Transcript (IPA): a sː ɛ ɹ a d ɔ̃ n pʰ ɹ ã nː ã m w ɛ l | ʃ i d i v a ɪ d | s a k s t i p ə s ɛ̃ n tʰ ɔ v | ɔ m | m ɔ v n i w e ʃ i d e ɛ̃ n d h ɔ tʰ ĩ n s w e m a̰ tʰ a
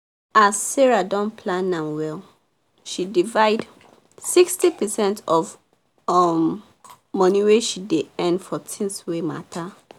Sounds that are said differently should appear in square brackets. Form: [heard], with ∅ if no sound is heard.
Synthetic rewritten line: a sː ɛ ɹ a d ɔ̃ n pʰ [l] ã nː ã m w ɛ l | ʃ i d i v a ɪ d | s [i] k s t i p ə s ɛ̃ n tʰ ɔ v | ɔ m | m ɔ [∅] n i w e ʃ i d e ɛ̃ n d [f] ɔ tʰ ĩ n s w e m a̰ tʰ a